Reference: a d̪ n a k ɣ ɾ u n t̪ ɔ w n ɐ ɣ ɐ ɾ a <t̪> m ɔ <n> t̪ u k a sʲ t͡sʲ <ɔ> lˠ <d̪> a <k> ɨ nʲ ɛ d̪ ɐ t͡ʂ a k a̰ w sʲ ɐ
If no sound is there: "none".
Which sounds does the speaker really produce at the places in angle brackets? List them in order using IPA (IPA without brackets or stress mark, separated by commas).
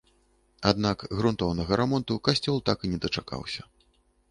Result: none, n, ɔ, t̪, k